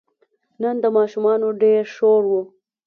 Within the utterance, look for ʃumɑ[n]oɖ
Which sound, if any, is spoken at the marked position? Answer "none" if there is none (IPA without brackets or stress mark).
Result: n